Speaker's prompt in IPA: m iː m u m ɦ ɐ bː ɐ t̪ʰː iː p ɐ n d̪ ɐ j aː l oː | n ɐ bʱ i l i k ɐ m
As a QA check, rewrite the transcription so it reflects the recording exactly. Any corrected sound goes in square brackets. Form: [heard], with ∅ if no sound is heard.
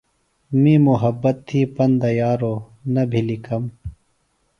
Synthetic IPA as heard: m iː m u [∅] ɦ ɐ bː ɐ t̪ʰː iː p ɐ n d̪ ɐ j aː [ɾ] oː | n ɐ bʱ i l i k ɐ m

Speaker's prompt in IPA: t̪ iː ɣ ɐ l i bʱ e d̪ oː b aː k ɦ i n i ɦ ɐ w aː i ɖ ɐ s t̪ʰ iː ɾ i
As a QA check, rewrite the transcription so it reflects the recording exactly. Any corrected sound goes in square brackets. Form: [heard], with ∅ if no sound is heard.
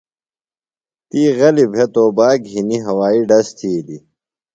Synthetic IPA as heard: t̪ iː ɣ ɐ l i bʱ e [t̪] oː b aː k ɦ i n i ɦ ɐ w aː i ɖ ɐ s t̪ʰ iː [l] i

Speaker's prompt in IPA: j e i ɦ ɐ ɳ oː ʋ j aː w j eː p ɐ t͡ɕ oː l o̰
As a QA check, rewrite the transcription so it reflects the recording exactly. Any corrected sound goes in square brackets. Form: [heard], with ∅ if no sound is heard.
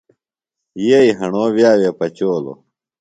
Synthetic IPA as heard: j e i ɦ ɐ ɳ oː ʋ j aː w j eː p ɐ t͡ɕ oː l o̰

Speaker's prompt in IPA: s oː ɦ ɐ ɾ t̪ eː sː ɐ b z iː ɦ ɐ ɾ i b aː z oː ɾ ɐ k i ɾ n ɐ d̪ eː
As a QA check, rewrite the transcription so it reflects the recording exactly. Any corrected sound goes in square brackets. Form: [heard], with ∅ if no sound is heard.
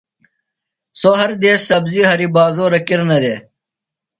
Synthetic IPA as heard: s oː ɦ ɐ ɾ [d̪] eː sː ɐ b z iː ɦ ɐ ɾ i b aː z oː ɾ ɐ k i ɾ n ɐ d̪ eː

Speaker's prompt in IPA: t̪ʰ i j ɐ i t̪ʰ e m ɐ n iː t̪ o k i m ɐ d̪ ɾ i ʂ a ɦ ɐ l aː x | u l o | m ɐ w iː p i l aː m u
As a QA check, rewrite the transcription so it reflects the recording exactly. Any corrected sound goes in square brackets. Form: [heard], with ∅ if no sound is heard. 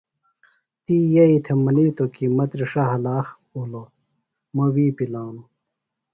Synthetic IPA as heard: [t̪] i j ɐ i t̪ʰ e m ɐ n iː t̪ o k i m ɐ [t̪] ɾ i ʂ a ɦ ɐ l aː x | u l o | m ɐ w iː p i l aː [n] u

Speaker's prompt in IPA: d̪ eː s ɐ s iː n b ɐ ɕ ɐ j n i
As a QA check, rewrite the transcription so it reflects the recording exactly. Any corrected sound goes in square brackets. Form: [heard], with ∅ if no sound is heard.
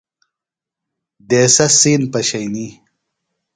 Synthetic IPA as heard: d̪ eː s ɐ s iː n [p] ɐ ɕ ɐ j n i

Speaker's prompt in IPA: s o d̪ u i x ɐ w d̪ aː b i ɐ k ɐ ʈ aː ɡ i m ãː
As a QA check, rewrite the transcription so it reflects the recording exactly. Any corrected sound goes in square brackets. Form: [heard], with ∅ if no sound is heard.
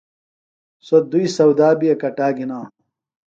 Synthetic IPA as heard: s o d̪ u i [s] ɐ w d̪ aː b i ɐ k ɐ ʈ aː ɡ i [n] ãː

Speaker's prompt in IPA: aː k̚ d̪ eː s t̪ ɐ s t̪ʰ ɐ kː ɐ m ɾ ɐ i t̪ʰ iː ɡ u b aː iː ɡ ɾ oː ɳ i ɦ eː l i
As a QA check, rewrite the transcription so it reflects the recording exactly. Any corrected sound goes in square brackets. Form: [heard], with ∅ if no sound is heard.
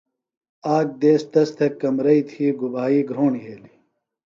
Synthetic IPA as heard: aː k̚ d̪ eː s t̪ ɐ s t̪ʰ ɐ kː ɐ m ɾ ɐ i t̪ʰ iː ɡ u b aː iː ɡ ɾ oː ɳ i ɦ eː l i

